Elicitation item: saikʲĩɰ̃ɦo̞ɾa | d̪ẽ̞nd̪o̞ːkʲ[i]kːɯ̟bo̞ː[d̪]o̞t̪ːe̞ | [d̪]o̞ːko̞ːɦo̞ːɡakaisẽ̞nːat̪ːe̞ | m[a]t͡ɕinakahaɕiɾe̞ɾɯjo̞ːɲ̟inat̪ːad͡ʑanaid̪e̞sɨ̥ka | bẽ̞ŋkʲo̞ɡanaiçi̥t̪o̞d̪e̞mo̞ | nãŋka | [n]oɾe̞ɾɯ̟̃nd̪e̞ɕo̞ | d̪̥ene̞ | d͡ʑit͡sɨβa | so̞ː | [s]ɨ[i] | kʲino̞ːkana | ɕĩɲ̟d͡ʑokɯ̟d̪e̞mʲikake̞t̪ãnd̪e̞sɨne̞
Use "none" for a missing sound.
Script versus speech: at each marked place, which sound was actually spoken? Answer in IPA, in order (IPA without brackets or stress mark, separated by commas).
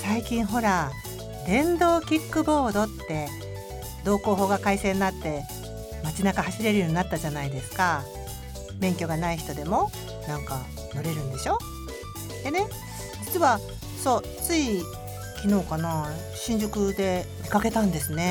i, d̪, d̪, a, n, t͡s, i